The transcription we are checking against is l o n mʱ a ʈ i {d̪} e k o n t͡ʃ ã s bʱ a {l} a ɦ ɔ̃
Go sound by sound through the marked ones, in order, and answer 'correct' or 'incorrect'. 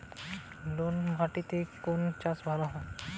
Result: incorrect, correct

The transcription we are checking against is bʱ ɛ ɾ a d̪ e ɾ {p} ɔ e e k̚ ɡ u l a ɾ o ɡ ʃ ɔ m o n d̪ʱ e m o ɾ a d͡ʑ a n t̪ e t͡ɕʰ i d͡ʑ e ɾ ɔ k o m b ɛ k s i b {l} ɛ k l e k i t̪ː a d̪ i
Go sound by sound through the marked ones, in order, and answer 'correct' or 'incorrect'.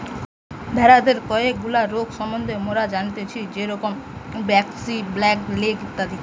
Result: incorrect, correct

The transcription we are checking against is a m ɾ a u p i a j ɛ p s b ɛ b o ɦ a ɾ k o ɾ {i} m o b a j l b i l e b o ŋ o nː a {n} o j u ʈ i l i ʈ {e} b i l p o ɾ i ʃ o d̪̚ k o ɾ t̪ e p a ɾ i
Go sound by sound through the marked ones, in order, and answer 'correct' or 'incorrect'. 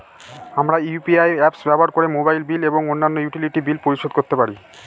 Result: incorrect, incorrect, incorrect

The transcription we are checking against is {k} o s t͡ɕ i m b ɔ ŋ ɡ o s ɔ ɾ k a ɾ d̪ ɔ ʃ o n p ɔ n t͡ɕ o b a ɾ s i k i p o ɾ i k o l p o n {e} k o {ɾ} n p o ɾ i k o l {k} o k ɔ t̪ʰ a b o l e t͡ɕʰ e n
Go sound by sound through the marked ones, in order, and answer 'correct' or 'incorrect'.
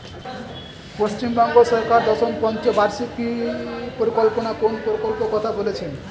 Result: incorrect, incorrect, incorrect, incorrect

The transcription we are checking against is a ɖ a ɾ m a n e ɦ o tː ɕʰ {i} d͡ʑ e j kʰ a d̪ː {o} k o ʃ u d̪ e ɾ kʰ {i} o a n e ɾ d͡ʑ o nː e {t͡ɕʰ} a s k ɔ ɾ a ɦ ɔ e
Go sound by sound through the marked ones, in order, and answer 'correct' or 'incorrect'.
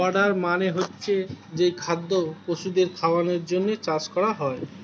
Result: incorrect, correct, incorrect, incorrect

